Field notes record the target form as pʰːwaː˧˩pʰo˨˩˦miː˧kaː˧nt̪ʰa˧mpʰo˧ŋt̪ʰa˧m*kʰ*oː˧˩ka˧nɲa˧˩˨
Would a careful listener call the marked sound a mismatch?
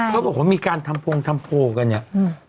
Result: yes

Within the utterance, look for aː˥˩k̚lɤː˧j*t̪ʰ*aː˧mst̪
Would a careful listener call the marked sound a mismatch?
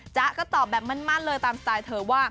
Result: yes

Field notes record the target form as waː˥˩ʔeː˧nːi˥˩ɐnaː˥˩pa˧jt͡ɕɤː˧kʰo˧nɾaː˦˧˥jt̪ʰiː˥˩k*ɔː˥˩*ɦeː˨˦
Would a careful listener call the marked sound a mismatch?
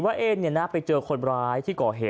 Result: yes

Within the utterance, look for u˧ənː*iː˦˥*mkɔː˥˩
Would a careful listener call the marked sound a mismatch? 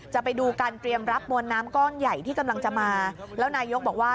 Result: yes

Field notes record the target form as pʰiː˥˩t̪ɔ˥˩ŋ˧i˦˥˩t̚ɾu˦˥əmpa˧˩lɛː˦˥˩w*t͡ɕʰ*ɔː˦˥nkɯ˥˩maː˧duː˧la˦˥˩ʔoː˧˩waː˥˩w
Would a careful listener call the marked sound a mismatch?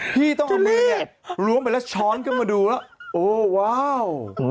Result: no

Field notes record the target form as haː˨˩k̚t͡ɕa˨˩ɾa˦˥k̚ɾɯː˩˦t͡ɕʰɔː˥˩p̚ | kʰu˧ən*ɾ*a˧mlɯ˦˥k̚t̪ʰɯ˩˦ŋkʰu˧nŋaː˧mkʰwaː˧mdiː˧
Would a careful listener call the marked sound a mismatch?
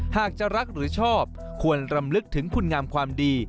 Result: no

